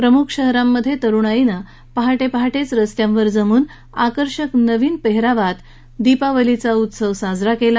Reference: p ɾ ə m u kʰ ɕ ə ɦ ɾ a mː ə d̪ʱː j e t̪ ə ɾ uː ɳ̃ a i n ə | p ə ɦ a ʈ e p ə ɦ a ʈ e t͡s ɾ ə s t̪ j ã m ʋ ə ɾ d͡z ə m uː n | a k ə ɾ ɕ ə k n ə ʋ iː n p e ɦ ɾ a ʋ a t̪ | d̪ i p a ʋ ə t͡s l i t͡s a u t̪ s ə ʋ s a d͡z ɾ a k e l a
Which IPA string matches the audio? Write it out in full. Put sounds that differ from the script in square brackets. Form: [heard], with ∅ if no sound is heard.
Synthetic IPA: p ɾ ə m u kʰ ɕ ə ɦ ɾ a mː ə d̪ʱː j e t̪ ə ɾ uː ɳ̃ a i n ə | p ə ɦ a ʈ e p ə ɦ a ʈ e t͡s ɾ ə s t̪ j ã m ʋ ə ɾ d͡z ə m uː n | a k ə ɾ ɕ ə k n ə ʋ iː n p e ɦ ɾ a ʋ a t̪ | d̪ i p a ʋ ə [∅] l i t͡s a u t̪ s ə ʋ s a d͡z ɾ a k e l a